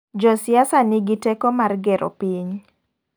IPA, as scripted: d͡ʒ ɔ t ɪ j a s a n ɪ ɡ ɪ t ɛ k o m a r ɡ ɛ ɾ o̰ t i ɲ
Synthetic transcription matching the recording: d͡ʒ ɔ s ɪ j a s a n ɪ ɡ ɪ t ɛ k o m a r ɡ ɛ ɾ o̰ p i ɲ